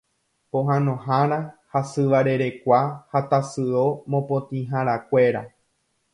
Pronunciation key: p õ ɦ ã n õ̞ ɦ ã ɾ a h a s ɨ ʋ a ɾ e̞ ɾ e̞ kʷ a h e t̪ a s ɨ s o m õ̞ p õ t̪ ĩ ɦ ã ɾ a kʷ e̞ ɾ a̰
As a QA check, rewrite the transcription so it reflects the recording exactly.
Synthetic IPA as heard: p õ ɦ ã n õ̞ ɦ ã ɾ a h a s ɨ ʋ a ɾ e̞ ɾ e̞ kʷ a h a t̪ a s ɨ o m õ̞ p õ t̪ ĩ ɦ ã ɾ a kʷ e̞ ɾ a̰